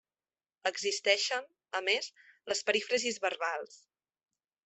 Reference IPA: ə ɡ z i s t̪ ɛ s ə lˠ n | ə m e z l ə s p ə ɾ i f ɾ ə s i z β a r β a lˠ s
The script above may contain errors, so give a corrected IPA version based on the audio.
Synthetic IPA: ə ɡ z i s t̪ ɛ ʃ ə n | ə m e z l ə s p ə ɾ i f ɾ ə z i z β ə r β a lˠ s

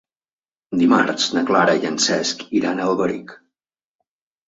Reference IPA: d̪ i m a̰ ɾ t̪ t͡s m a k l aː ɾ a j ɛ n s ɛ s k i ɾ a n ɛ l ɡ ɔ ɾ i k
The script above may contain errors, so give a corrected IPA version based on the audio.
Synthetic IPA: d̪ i m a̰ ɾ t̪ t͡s n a k l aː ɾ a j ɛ n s ɛ s k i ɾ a n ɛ l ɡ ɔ ɾ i k

